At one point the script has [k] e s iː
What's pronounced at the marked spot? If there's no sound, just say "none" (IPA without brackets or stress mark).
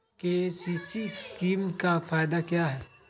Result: k